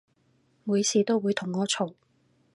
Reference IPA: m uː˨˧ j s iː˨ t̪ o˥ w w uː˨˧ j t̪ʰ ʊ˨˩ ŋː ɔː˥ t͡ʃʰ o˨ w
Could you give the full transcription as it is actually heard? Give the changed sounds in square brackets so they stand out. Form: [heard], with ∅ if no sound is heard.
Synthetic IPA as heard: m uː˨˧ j s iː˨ t̪ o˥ w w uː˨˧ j t̪ʰ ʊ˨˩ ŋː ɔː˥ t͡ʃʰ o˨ w